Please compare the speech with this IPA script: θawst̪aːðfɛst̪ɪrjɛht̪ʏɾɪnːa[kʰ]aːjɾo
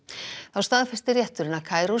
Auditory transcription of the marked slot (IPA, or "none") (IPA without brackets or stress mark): kʰ